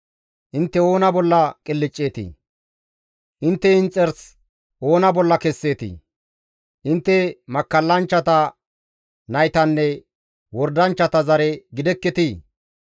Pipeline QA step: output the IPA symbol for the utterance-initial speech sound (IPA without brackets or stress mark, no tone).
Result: ʔ